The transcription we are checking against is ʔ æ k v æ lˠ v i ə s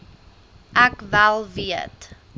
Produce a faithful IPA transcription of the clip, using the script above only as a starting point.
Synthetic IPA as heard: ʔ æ k v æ lˠ v i ə t